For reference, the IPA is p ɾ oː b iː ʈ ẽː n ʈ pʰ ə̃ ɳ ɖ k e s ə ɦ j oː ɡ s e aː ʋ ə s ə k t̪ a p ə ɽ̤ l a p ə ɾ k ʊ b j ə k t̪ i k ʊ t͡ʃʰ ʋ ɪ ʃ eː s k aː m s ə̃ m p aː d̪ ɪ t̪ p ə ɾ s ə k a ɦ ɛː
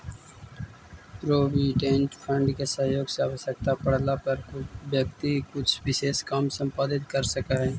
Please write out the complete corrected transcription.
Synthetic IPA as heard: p ɾ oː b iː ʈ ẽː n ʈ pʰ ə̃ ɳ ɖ k e s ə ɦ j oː ɡ s e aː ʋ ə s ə k t̪ a p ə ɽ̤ l a p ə ɾ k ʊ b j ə k t̪ i k ʊ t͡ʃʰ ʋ ɪ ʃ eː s k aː m s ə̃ m p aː d̪ ɪ t̪ k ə ɾ s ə k a ɦ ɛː